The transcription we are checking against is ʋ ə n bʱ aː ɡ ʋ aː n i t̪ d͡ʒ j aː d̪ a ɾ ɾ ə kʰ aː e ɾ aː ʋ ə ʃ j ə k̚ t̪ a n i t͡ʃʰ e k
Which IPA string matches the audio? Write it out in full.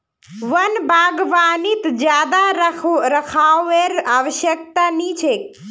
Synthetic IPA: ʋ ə n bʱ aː ɡ ʋ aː n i t̪ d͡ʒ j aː d̪ a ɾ ɾ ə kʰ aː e ɾ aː ʋ ə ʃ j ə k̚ t̪ a n i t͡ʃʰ e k

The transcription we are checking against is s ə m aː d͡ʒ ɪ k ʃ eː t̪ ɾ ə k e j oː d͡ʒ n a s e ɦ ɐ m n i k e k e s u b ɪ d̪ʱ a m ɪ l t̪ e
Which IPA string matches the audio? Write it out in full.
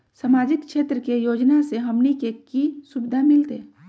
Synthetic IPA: s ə m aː d͡ʒ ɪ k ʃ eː t̪ ɾ ə k e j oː d͡ʒ n a s e ɦ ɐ m n i k e k i s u b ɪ d̪ʱ a m ɪ l t̪ e

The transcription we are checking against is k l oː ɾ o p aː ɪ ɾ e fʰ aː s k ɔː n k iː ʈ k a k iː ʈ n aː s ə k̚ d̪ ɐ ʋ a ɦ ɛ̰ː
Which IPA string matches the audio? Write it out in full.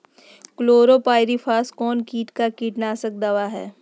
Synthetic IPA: k l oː ɾ o p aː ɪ ɾ i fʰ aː s k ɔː n k iː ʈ k a k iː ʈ n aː s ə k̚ d̪ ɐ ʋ a ɦ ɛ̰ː

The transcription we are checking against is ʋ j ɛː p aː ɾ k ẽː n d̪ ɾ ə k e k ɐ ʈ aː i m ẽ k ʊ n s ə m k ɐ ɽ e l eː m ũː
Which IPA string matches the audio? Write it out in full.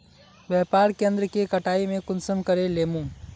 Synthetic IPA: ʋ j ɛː p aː ɾ k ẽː n d̪ ɾ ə k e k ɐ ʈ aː i m ẽ k ʊ n s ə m k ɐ ɾ e l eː m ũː

